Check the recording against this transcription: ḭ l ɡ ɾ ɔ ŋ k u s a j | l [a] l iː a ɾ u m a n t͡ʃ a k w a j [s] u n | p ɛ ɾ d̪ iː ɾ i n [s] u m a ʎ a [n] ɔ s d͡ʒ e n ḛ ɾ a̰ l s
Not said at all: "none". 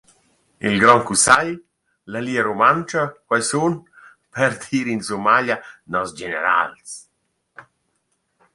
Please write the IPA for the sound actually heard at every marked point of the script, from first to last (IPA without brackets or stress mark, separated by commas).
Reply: a, s, s, n